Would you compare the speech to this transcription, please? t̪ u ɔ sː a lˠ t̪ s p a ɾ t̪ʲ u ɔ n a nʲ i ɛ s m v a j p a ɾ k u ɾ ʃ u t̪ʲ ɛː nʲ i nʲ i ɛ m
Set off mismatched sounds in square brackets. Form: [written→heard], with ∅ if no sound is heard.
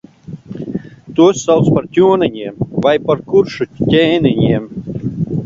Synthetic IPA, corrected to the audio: t̪ u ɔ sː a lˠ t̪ s p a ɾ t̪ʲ u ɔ n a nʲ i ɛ [s→∅] m v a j p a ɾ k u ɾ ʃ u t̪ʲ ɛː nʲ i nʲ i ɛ m

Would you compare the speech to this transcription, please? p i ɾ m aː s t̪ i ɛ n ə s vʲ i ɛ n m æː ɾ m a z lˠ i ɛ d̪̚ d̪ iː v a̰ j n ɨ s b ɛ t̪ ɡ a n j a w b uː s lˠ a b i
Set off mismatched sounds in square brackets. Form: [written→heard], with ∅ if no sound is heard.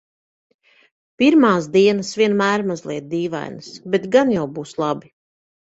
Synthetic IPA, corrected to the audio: p i ɾ m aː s [t̪→d̪] i ɛ n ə s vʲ i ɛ n m æː ɾ m a z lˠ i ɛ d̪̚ d̪ iː v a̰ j n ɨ s b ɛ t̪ ɡ a n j a w b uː s lˠ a b i

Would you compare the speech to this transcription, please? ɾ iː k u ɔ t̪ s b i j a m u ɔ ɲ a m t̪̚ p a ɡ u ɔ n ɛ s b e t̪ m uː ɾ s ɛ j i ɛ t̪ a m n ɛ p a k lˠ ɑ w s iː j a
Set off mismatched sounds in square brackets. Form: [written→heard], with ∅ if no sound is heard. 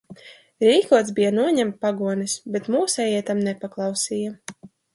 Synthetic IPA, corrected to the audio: ɾ iː k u ɔ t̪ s b i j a [m→n] u ɔ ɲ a m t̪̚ p a ɡ u ɔ n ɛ s b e t̪ m uː [ɾ→∅] s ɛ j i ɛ t̪ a m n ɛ p a k lˠ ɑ w s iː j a

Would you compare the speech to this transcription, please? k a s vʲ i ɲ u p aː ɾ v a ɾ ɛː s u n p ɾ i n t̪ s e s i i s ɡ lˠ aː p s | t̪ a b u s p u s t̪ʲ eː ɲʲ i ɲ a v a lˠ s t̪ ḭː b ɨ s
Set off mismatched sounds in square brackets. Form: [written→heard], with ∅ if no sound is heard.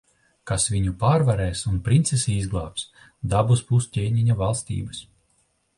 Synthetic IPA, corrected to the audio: k a s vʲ i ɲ u p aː ɾ v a ɾ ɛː s u n p ɾ i n t̪ s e s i i [s→z] ɡ lˠ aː p s | [t̪→d̪] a b u s p u s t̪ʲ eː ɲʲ i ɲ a v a lˠ s t̪ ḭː b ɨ s

